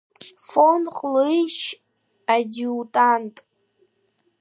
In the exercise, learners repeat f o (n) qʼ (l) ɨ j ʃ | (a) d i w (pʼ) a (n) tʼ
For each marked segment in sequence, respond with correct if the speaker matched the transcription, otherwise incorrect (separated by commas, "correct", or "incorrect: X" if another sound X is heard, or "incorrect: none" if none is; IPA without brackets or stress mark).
correct, correct, correct, incorrect: tʼ, correct